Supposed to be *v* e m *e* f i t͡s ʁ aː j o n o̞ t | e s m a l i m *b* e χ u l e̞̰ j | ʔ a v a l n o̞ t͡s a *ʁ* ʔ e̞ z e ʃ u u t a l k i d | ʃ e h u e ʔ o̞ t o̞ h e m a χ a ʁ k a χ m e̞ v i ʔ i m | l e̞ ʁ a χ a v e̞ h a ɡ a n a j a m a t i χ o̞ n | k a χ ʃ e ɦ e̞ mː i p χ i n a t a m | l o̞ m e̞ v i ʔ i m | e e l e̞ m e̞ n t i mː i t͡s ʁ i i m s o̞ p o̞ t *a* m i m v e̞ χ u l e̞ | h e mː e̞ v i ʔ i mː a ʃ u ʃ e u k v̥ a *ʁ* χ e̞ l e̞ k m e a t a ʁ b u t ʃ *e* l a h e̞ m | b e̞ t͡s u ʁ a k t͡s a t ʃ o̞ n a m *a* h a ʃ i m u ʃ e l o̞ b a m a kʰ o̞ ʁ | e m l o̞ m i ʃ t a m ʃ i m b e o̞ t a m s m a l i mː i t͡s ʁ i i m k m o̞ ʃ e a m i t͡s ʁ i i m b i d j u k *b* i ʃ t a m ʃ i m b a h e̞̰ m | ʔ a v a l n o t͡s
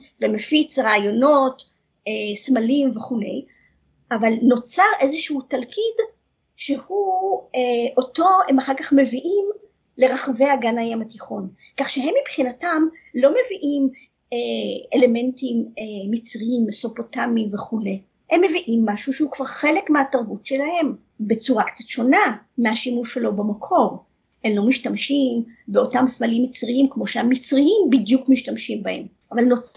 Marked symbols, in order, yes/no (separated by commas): yes, yes, no, yes, yes, yes, yes, no, no